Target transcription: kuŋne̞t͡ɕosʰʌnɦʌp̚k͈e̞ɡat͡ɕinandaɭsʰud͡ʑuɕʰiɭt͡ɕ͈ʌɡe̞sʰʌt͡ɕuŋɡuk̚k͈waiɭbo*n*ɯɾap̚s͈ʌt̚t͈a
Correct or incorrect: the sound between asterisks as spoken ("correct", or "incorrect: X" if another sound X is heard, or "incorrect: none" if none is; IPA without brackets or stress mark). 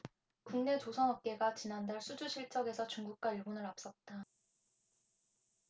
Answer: correct